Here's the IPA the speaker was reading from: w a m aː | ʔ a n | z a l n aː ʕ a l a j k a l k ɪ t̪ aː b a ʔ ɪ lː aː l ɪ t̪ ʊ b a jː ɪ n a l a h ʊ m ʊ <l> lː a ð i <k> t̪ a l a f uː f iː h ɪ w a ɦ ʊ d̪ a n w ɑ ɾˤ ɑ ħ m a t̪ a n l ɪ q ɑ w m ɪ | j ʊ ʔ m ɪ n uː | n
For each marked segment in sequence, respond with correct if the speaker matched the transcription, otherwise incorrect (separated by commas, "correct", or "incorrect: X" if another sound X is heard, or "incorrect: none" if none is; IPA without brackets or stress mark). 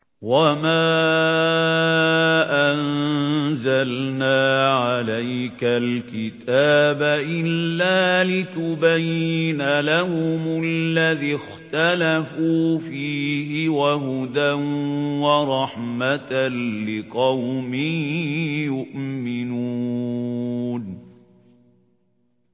correct, incorrect: x